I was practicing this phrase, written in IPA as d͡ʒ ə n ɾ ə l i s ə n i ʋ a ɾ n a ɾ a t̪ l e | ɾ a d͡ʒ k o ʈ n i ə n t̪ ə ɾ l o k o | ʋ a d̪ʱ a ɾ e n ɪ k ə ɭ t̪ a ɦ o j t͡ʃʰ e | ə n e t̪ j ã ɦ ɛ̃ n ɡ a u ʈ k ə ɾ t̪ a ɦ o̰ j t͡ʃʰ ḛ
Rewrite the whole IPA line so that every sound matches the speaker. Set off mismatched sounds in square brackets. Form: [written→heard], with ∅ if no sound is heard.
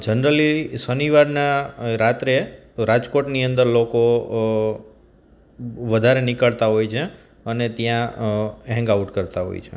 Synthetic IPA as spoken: d͡ʒ ə n ɾ ə l i s ə n i ʋ a ɾ n a ɾ a t̪ [l→ɾ] e | ɾ a d͡ʒ k o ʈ n i ə n [t̪→d̪] ə ɾ l o k o | ʋ [a→ə] d̪ʱ a ɾ e n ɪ k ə ɭ t̪ a ɦ o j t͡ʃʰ e | ə n e t̪ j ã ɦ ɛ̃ [n→ŋ] ɡ a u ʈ k ə ɾ t̪ a ɦ o̰ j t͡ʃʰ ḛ